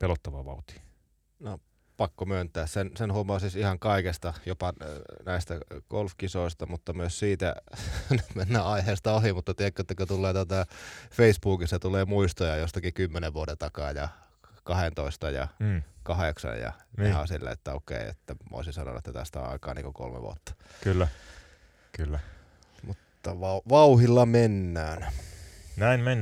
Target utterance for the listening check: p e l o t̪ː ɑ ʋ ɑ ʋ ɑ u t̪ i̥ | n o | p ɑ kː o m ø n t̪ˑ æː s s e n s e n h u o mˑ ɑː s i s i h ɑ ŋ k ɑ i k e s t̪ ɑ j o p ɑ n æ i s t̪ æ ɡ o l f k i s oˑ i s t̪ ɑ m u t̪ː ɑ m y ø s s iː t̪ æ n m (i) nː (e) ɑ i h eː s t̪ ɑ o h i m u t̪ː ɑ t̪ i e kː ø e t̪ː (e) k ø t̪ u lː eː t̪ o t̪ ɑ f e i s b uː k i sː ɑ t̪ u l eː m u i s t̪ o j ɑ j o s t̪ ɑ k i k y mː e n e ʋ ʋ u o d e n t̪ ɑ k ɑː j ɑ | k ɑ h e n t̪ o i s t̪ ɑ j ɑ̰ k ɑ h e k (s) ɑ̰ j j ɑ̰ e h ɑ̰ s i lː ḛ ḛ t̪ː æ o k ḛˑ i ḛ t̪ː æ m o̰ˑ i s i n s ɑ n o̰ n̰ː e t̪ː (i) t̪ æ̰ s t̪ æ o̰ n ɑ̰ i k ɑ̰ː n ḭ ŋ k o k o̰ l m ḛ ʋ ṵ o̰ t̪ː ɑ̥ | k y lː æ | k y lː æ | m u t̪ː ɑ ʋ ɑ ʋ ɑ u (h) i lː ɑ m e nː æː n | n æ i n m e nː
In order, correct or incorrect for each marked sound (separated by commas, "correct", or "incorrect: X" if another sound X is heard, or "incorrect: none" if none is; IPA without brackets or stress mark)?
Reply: incorrect: e, incorrect: æ, incorrect: æ, correct, incorrect: æ, correct